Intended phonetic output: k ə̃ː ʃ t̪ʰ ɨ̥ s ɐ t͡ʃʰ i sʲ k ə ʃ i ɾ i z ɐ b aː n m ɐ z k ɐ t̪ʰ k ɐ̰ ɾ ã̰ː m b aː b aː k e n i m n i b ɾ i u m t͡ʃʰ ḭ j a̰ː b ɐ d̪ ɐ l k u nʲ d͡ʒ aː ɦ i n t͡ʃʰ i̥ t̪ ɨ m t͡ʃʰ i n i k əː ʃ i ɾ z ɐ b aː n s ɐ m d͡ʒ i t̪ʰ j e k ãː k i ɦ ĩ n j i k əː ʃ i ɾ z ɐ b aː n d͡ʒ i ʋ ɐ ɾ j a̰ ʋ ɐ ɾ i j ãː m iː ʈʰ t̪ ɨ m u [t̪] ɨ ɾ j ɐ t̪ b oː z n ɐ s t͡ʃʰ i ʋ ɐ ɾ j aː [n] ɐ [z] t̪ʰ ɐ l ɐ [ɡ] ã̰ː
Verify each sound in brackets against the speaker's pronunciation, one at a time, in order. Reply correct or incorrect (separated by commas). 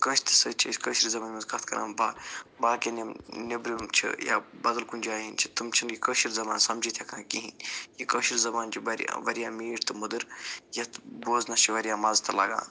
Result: incorrect, incorrect, correct, correct